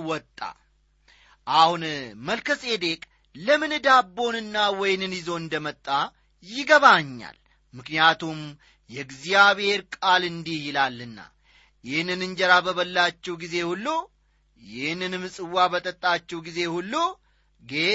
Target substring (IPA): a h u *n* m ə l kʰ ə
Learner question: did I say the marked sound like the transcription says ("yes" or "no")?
yes